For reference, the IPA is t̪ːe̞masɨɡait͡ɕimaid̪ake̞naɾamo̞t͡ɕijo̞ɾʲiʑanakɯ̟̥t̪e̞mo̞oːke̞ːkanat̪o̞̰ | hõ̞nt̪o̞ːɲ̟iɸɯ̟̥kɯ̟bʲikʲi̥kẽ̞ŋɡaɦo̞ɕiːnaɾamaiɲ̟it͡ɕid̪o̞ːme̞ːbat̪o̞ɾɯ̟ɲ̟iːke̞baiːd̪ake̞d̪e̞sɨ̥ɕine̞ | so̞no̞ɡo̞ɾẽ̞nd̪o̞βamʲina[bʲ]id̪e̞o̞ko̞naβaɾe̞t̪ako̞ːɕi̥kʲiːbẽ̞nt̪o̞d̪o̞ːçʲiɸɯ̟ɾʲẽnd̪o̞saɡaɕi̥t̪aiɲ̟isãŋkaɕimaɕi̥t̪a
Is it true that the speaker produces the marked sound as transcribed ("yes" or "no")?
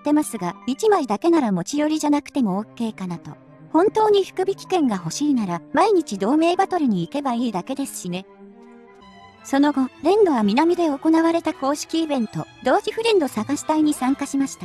no